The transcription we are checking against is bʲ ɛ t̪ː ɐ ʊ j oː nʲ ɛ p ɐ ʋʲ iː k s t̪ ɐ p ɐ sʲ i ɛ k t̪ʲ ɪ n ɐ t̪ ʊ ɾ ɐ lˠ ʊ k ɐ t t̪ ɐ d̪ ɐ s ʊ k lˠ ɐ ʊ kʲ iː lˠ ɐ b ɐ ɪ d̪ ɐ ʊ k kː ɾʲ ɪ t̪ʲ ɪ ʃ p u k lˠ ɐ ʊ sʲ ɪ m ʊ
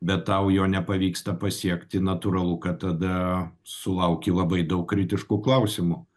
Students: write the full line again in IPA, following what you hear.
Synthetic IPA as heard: bʲ ɛ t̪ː ɐ ʊ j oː nʲ ɛ p ɐ ʋʲ iː k s t̪ ɐ p ɐ sʲ i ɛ k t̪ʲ ɪ n ɐ t̪ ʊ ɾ ɐ lˠ ʊ k ɐ t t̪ ɐ d̪ ɐ s ʊ lˠ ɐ ʊ kʲ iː lˠ ɐ b ɐ ɪ d̪ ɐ ʊ k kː ɾʲ ɪ t̪ʲ ɪ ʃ k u k lˠ ɐ ʊ sʲ ɪ m ʊ